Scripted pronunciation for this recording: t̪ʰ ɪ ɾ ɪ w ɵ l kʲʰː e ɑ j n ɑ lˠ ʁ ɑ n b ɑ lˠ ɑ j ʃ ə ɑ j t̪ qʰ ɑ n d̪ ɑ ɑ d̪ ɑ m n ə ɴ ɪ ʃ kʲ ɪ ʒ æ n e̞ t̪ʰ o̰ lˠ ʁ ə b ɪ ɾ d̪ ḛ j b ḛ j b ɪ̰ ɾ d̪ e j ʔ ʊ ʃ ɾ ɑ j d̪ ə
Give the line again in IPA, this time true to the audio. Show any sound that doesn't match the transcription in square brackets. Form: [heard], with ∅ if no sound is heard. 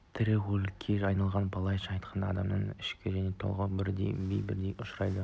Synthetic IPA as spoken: t̪ʰ ɪ ɾ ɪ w ɵ l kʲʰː e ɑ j n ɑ lˠ ʁ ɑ n b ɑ lˠ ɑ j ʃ [ɑ] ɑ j t̪ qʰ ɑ n d̪ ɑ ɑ d̪ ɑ m n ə ɴ ɪ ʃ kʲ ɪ ʒ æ n e̞ t̪ʰ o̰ lˠ ʁ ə b ɪ ɾ d̪ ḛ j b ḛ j b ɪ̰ ɾ d̪ e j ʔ ʊ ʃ ɾ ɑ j d̪ ə

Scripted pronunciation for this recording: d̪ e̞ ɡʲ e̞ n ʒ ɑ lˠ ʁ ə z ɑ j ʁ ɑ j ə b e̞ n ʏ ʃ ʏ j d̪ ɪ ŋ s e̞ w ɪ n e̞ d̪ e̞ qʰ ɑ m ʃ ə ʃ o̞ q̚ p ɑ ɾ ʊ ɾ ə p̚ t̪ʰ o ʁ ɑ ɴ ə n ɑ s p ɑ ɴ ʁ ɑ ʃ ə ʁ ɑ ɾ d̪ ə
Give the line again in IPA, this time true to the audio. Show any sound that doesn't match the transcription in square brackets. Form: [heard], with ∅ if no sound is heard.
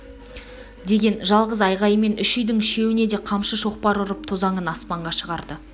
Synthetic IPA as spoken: d̪ e̞ ɡʲ e̞ n ʒ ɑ lˠ ʁ ə z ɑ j ʁ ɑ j ə [m] e̞ n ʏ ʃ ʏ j d̪ ɪ ŋ [ʃ] e̞ w ɪ n e̞ d̪ e̞ qʰ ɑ m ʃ ə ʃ o̞ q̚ p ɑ ɾ ʊ ɾ ə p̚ t̪ʰ o [z] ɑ ɴ ə n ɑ s p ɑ ɴ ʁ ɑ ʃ ə ʁ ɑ ɾ d̪ ə

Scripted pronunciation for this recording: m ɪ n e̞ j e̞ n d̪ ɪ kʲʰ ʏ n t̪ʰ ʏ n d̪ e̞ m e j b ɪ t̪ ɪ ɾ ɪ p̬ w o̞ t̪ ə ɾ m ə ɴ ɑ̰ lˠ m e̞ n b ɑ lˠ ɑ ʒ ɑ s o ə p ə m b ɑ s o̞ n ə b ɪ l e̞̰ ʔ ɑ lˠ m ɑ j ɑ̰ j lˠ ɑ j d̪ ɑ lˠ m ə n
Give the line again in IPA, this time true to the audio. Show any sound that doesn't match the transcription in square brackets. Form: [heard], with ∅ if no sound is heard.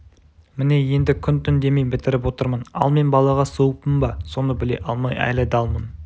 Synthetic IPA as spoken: m ɪ n e̞ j e̞ n d̪ ɪ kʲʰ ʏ n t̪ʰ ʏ n d̪ e̞ m e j b ɪ t̪ ɪ ɾ ɪ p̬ w o̞ t̪ ə ɾ m ə [n] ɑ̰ lˠ m e̞ n b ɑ lˠ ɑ [ʁ] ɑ s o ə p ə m b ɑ s o̞ n ə b ɪ l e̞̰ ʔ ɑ lˠ m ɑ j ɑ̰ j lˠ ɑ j d̪ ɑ lˠ m ə n

